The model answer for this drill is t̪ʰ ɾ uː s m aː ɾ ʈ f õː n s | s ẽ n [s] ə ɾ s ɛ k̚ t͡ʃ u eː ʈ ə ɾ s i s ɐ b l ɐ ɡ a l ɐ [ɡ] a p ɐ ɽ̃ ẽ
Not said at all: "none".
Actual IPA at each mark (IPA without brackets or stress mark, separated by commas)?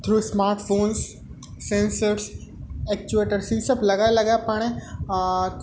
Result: s, ɡ